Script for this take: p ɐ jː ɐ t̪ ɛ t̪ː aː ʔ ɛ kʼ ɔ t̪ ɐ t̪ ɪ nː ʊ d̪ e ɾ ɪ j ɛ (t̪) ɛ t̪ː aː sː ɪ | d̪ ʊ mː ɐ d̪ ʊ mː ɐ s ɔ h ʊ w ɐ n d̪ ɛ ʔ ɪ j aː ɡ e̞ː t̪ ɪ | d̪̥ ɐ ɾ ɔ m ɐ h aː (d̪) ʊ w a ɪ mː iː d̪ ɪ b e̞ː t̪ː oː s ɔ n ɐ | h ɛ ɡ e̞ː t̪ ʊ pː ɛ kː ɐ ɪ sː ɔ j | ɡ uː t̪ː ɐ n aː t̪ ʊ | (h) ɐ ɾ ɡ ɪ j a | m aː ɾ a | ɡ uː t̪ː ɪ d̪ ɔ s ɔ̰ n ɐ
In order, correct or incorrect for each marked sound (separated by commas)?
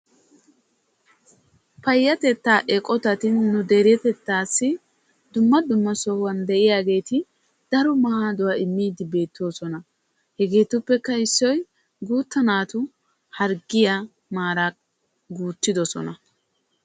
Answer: correct, correct, correct